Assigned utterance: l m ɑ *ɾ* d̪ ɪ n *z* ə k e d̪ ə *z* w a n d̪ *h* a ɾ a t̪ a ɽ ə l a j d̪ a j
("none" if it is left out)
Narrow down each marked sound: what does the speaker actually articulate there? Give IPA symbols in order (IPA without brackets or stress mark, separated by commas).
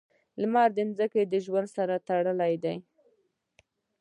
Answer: ɾ, z, ʒ, s